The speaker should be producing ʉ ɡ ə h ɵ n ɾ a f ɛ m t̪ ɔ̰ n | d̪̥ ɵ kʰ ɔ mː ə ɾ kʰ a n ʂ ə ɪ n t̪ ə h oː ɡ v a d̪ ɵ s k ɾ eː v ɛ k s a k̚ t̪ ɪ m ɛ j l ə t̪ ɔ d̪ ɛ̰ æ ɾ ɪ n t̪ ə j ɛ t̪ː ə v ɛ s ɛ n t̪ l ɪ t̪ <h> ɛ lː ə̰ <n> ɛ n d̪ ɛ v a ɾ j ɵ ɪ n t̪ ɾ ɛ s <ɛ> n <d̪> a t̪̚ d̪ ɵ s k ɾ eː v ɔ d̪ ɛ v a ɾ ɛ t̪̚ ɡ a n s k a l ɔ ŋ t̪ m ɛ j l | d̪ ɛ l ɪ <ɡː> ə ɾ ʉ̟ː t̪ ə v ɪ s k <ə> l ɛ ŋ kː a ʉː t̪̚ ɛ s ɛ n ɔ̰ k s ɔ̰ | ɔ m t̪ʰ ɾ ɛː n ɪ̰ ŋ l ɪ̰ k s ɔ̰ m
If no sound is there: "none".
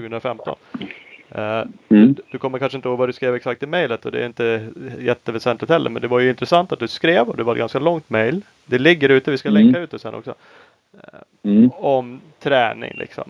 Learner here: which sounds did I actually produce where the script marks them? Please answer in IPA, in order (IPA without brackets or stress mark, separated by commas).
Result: h, m, a, t̪, ɡː, a